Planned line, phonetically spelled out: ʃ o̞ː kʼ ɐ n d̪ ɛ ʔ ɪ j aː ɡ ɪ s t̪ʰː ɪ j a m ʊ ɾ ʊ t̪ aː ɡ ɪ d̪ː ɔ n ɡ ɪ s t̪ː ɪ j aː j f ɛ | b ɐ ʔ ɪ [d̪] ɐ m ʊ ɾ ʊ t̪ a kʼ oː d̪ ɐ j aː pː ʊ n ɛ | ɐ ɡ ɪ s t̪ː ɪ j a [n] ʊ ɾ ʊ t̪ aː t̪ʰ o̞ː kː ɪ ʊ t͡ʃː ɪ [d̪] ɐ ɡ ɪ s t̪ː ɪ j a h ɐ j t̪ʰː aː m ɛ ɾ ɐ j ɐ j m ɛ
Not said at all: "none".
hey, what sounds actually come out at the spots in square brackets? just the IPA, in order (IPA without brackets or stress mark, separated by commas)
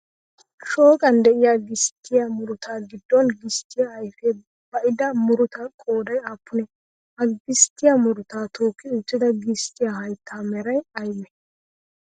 d̪, m, d̪